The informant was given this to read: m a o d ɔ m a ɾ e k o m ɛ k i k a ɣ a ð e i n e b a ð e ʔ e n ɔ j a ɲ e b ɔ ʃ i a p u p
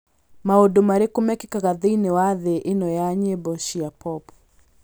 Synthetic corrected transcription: m a o d o m a ɾ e k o m ɛ k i k a ɣ a ð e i n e w a ð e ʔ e n ɔ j a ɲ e b ɔ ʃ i a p ɔ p